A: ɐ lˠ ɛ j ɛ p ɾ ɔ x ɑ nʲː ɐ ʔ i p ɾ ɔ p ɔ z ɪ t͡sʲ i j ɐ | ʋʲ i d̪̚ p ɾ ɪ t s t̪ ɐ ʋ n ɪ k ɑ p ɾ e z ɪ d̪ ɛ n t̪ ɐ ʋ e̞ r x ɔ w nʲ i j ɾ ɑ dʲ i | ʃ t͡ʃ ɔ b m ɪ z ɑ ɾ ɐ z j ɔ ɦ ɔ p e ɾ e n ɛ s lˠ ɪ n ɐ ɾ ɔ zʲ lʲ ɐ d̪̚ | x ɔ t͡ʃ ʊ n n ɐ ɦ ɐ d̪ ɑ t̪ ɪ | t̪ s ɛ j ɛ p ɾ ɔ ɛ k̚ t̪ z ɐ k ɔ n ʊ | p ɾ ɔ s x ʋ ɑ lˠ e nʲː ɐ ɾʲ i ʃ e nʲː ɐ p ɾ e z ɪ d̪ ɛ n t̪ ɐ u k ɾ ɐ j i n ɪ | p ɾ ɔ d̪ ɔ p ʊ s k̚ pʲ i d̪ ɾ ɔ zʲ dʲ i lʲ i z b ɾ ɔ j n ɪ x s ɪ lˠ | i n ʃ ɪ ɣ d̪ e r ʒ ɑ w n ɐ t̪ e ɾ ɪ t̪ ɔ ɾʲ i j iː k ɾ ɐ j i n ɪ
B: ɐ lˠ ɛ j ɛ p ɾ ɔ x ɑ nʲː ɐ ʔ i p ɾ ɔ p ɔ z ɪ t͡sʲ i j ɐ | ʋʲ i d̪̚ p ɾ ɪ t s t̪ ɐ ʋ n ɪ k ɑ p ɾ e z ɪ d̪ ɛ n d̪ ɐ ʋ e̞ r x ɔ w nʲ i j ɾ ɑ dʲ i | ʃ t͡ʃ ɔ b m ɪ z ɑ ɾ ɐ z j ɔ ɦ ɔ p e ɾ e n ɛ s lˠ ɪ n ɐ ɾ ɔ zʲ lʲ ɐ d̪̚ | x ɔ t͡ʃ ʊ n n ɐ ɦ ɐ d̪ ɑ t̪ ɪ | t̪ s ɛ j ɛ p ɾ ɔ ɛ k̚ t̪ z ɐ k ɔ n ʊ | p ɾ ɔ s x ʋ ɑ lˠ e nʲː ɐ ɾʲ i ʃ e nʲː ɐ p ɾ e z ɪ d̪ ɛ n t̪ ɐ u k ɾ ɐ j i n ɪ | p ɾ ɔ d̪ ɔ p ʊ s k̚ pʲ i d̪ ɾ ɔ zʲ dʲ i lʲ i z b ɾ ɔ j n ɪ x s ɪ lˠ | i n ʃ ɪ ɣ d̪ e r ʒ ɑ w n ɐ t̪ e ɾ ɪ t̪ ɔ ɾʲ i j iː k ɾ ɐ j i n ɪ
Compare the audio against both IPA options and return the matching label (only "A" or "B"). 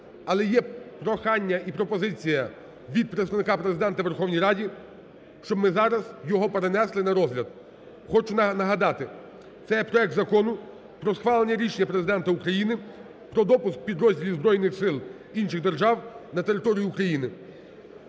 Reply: A